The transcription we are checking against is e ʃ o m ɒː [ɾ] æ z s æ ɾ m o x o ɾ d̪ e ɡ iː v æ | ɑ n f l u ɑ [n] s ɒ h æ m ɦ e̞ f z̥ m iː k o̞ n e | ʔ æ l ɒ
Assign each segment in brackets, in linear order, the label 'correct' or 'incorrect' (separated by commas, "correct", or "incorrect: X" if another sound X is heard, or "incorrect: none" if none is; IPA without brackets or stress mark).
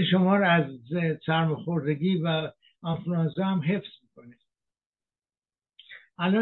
correct, correct